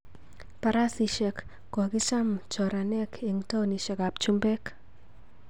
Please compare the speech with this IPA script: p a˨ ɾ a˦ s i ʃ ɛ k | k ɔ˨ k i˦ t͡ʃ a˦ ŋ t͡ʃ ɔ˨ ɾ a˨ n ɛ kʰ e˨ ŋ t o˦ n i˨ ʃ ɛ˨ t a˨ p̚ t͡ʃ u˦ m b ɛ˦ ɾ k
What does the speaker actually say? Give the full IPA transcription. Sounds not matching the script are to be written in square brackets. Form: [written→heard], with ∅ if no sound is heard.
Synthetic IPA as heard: p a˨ ɾ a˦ s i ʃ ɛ k | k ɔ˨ k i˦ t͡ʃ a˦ [ŋ→m] t͡ʃ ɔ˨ ɾ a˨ n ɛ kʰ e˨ ŋ t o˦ n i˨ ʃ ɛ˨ [t→k] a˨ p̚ t͡ʃ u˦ m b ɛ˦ [ɾ→∅] k